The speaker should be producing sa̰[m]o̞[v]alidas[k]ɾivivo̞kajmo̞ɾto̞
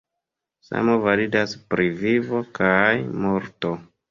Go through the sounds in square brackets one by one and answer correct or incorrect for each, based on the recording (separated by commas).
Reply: correct, correct, incorrect